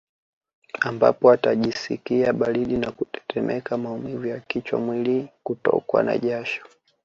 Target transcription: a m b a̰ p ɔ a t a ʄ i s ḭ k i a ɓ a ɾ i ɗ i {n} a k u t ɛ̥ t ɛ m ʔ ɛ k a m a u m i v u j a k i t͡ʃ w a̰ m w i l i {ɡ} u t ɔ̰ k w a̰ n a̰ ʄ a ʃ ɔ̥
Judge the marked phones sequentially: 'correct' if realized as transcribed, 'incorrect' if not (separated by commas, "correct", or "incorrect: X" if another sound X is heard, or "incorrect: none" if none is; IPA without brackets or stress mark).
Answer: correct, incorrect: k